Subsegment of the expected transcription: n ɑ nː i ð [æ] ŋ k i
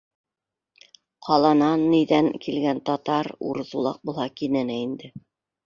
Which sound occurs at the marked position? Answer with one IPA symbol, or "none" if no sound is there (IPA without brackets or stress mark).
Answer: æ